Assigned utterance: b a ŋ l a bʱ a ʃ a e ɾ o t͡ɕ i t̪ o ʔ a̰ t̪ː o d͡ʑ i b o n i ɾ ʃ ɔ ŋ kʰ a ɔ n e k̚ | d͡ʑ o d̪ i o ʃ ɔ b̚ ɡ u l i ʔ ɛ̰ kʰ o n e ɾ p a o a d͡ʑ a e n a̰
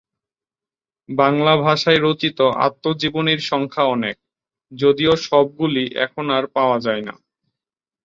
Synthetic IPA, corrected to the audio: b a ŋ l a bʱ a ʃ a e ɾ o t͡ɕ i t̪ o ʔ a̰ t̪ː o d͡ʑ i b o n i ɾ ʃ ɔ ŋ kʰ a ɔ n e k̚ | d͡ʑ o d̪ i o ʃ ɔ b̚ ɡ u l i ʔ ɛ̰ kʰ o n a ɾ p a o a d͡ʑ a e n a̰